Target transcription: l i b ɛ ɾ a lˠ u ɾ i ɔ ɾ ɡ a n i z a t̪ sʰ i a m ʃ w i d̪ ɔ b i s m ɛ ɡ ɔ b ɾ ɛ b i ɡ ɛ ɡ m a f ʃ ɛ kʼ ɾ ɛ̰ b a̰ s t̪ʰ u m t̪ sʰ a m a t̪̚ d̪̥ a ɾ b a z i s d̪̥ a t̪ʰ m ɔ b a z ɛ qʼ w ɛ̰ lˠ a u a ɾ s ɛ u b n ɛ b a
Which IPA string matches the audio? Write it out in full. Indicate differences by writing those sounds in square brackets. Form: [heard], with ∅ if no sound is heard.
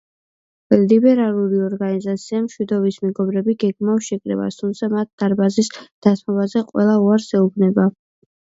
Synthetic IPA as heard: l i b ɛ ɾ a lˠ u ɾ i ɔ ɾ ɡ a n i z a t̪ sʰ i a m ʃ w i d̪ ɔ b i s m ɛ ɡ ɔ b ɾ ɛ b i ɡ ɛ ɡ m a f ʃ ɛ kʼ ɾ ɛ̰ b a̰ s t̪ʰ u m t̪ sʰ a m a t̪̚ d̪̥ a ɾ b a z i s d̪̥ a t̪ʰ m ɔ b a z ɛ qʼ w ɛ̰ lˠ a u a ɾ s ɛ u b n ɛ b a